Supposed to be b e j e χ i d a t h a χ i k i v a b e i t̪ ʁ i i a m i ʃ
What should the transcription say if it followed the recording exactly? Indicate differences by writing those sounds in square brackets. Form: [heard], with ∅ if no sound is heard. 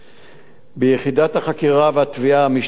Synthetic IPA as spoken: b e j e χ i d a t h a χ [a] k i [ʁ] a [v] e [a] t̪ [v] i [a] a m i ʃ